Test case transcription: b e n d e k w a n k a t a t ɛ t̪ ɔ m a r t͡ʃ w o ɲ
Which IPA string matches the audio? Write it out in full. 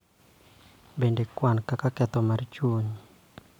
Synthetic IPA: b e n d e k w a n k a k a k ɛ t̪ ɔ m a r t͡ʃ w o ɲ